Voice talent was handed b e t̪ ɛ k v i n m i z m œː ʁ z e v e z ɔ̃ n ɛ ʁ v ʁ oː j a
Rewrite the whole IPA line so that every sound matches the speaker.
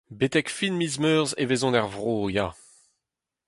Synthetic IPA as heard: b e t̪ ɛ k f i n m i z m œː ʁ z e v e z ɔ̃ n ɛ ʁ v ʁ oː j a